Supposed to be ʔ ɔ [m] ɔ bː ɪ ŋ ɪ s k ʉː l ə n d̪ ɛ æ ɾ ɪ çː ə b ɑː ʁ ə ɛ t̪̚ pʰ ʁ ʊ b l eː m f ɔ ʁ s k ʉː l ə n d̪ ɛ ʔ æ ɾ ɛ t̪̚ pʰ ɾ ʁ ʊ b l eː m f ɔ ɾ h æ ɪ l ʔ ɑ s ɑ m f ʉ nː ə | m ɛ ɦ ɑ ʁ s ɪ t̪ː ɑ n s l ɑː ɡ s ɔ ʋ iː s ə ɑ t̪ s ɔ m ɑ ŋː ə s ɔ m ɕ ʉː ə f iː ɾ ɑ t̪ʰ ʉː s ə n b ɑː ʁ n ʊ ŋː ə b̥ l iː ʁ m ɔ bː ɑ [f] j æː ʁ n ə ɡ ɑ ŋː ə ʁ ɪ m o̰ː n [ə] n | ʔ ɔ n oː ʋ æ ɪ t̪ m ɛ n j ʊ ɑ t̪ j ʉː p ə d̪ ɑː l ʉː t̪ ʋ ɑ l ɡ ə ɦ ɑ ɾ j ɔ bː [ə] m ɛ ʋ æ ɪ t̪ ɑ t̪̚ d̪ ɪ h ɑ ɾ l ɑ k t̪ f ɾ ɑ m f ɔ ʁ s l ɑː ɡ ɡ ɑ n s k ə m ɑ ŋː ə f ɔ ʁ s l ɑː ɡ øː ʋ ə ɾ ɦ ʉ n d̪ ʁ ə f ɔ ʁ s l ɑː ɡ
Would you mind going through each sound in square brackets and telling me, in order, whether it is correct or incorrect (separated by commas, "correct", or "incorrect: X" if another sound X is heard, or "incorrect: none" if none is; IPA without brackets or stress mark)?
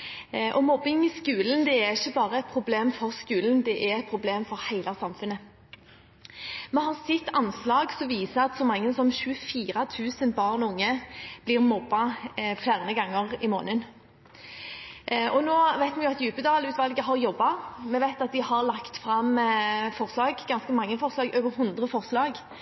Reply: correct, correct, correct, incorrect: ɑ